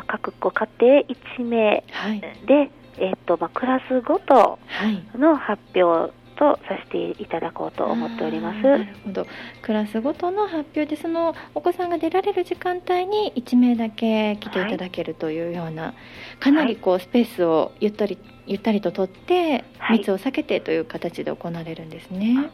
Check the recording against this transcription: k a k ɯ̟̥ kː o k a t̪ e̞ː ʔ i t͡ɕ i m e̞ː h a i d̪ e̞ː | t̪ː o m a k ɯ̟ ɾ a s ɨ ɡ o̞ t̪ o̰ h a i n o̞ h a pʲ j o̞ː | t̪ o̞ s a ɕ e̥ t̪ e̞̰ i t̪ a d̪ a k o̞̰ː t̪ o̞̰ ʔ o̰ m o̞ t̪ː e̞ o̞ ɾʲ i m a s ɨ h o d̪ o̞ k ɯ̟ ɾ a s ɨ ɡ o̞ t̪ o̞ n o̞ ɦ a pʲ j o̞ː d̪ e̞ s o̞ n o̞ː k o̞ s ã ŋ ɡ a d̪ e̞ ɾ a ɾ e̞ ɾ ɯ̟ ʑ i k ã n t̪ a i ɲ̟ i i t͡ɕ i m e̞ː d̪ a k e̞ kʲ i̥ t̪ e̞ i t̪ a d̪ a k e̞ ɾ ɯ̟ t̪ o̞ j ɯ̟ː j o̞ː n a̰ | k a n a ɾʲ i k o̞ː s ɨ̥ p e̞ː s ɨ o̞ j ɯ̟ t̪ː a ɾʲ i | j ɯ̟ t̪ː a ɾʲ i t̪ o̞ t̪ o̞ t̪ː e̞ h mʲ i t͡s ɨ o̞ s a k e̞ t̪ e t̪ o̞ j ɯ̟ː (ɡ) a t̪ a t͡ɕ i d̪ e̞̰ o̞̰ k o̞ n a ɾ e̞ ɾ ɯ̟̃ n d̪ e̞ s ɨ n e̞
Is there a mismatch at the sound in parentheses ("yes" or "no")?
yes